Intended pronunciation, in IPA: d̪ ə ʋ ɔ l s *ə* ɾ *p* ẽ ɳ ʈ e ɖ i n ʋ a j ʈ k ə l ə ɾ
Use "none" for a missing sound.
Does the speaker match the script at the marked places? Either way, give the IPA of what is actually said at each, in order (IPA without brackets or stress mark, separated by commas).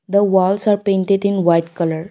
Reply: a, p